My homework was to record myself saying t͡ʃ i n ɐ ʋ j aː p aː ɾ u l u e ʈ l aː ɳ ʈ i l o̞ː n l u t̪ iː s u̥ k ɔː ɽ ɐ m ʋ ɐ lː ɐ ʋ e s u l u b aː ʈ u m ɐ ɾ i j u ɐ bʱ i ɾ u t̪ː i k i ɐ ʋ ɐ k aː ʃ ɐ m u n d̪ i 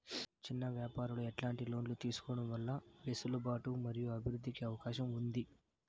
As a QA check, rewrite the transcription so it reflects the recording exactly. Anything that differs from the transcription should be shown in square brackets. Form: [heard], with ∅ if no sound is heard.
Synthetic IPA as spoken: t͡ʃ i [nː] ɐ ʋ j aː p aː ɾ u l u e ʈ l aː ɳ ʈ i l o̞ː n l u t̪ iː s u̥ k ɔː ɽ ɐ m ʋ ɐ lː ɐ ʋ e s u l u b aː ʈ u m ɐ ɾ i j u ɐ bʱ i ɾ u [d̪ː] i k i ɐ ʋ ɐ k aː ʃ ɐ m u n d̪ i